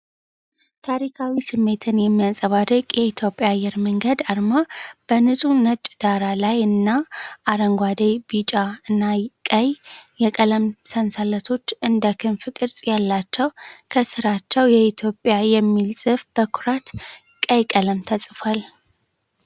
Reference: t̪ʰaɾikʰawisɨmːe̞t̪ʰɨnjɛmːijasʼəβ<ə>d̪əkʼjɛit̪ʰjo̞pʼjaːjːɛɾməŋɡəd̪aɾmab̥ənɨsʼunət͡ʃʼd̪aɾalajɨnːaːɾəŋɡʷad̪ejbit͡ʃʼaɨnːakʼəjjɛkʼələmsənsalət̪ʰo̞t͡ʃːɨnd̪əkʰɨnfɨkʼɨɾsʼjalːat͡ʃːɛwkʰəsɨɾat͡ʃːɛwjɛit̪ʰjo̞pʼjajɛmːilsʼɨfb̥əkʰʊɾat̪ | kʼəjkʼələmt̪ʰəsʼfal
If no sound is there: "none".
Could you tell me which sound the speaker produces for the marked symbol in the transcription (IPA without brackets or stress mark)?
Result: a